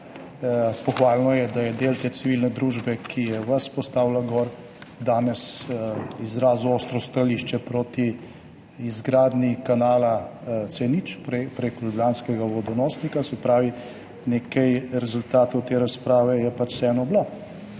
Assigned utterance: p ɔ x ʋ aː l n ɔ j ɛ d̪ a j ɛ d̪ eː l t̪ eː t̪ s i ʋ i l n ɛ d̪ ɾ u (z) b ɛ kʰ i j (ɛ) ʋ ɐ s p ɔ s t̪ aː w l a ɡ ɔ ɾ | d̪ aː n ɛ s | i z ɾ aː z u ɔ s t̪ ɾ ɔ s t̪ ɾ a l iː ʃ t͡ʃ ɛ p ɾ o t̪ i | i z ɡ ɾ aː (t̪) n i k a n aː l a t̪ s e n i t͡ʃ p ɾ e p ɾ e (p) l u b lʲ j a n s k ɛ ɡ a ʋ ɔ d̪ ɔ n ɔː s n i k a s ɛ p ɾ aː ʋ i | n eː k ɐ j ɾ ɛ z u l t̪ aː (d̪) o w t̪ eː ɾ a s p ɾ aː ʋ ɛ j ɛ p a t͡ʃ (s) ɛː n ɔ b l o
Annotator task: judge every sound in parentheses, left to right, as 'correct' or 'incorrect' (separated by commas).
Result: incorrect, correct, incorrect, incorrect, incorrect, correct